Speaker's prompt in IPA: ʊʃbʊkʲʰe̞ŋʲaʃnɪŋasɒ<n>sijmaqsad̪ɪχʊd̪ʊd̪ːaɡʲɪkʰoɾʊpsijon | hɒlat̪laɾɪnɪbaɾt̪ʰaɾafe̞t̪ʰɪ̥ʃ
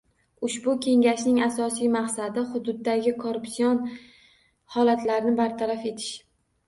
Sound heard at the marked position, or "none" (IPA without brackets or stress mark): none